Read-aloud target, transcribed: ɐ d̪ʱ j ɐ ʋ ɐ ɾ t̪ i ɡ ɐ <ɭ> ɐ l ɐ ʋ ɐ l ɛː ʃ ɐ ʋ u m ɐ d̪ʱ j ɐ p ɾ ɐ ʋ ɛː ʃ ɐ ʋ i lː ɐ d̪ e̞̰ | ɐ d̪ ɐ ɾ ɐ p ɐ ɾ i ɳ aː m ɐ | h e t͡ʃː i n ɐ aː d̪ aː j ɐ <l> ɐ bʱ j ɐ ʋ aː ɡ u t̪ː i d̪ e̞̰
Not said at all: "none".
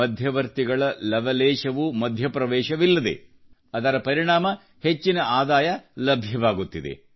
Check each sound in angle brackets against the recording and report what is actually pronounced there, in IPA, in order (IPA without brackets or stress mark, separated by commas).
ɭ, l